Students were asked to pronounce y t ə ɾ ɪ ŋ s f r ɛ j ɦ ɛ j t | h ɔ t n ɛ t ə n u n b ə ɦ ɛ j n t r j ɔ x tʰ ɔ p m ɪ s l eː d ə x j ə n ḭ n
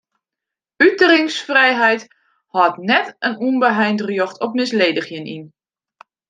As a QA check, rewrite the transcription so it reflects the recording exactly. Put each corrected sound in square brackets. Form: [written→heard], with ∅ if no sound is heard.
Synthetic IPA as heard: y t ə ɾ ɪ ŋ s f r ɛ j ɦ ɛ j t | h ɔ t n ɛ t ə n u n b ə ɦ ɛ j n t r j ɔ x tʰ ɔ p m ɪ s l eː d ə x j ə n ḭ n

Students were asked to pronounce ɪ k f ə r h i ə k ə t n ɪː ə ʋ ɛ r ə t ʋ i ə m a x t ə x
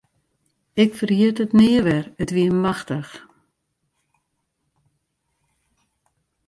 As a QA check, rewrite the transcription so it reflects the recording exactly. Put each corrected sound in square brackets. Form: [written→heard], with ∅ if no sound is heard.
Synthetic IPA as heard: ɪ k f ə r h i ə [k→t] ə t n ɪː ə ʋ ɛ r ə t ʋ i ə m a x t ə x

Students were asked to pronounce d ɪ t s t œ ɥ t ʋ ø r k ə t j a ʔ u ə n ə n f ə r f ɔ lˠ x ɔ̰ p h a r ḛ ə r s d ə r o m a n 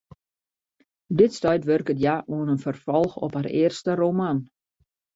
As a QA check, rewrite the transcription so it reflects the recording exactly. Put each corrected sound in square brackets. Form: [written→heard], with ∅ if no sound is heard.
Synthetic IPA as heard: d ɪ t s t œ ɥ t ʋ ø r k ə t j a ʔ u ə n ə n f ə r f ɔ lˠ x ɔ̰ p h a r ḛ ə r s [d→t] ə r o m a n

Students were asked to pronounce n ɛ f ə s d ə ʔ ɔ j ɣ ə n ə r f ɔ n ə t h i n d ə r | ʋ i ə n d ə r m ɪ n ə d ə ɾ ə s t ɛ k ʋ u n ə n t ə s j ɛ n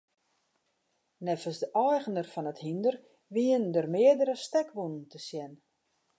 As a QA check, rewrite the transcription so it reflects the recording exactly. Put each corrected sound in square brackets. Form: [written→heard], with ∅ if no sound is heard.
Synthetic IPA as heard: n ɛ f ə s d ə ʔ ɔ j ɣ ə n ə r f ɔ n ə t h i n d ə r | ʋ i ə n d ə r m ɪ [n→∅] ə d ə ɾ ə s t ɛ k ʋ u n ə n t ə s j ɛ n

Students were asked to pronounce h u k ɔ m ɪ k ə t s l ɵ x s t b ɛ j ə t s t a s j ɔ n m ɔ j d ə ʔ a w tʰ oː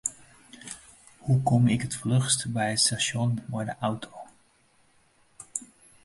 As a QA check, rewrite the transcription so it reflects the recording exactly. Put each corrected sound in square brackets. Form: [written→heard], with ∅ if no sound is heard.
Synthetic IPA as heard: h u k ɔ m ɪ k ə t [s→f] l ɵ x s t b ɛ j ə t s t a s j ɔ n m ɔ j d ə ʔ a w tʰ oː

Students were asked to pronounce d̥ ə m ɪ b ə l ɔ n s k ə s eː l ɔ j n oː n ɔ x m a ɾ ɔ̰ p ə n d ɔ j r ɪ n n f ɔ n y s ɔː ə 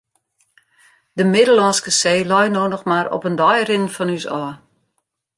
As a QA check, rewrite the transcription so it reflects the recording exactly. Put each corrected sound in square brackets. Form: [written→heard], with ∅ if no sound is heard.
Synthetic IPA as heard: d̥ ə m ɪ [b→d] ə l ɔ n s k ə s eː l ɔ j n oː n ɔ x m a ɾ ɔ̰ p ə n d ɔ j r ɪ n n f ɔ n y s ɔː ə

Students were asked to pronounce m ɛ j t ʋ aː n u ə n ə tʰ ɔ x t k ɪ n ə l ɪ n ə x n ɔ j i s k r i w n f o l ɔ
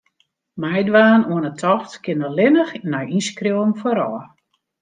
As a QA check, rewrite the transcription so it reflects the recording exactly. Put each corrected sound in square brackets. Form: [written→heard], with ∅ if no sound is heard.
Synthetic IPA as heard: m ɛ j [t→d] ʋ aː n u ə n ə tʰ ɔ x t k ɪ n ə l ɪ n ə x n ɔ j i s k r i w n f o [l→ɾ] ɔ

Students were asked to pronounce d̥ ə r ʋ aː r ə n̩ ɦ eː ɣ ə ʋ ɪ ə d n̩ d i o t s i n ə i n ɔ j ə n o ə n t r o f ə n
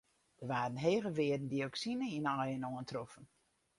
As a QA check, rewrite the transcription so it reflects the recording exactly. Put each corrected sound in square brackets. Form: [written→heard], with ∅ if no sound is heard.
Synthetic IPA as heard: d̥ ə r ʋ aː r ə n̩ ɦ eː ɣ ə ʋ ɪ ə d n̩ d i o [t→k] s i n ə i n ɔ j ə n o ə n t r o f ə n

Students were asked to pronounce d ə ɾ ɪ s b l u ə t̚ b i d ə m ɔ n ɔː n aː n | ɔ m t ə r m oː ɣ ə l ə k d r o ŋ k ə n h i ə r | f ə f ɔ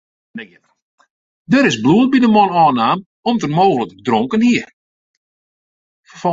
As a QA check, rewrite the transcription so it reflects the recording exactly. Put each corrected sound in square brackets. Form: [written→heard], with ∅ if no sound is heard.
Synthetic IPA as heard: d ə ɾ ɪ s b l u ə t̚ b i d ə m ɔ n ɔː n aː [n→m] | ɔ m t ə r m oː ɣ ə l ə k d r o ŋ k ə n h i ə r | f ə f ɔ

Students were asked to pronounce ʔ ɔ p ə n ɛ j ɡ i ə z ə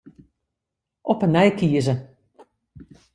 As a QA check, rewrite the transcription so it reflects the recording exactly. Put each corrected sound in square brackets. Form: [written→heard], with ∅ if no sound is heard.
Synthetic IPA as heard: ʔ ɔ p ə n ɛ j [ɡ→k] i ə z ə

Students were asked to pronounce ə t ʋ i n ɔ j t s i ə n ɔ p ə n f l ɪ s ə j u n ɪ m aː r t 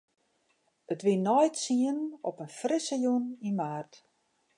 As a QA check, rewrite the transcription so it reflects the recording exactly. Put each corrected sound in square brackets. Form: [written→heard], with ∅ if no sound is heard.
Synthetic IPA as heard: ə t ʋ i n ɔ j t s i ə n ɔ p ə n f [l→r] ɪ s ə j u n [ɪ→i] m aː r t

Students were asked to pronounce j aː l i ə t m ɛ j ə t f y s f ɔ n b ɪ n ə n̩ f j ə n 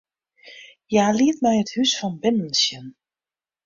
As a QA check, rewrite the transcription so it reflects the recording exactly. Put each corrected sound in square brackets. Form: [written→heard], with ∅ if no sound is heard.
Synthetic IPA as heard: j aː l i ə t m ɛ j ə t [f→h] y s f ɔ n b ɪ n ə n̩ [f→s] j ə n

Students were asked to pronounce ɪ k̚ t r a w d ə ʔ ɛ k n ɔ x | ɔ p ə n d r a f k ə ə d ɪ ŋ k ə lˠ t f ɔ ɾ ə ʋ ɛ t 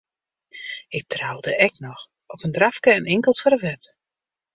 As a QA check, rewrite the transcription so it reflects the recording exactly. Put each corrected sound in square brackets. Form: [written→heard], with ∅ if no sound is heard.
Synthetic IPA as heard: ɪ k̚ t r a w d ə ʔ ɛ k n ɔ x | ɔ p ə n d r a f k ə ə [d→n] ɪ ŋ k ə lˠ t f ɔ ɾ ə ʋ ɛ t

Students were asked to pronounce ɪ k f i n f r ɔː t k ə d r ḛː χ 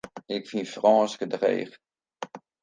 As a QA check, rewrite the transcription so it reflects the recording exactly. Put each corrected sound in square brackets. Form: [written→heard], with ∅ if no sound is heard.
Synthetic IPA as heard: ɪ k f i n f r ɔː [t→s] k ə d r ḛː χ

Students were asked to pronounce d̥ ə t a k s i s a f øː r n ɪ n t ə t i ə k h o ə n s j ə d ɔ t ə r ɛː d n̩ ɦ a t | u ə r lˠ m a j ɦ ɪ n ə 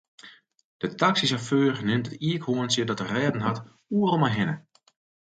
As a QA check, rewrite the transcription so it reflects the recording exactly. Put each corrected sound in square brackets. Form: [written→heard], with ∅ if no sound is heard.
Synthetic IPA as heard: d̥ ə t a k s i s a f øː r n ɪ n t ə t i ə k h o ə n s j ə d ɔ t ə r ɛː d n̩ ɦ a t | u ə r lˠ m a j ɦ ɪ n ə

